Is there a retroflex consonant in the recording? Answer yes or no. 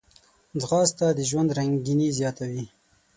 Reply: no